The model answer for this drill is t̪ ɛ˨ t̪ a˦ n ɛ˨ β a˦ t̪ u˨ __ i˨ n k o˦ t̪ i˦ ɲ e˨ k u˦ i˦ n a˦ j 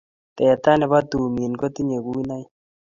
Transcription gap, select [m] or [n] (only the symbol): m